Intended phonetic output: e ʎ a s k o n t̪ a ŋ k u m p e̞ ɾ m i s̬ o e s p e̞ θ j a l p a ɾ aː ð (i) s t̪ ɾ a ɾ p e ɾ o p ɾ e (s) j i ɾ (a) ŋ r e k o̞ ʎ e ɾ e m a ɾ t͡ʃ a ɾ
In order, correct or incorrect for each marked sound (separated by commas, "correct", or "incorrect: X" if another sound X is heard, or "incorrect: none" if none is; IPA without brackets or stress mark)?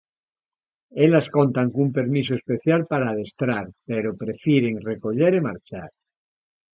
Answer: incorrect: e, incorrect: f, incorrect: e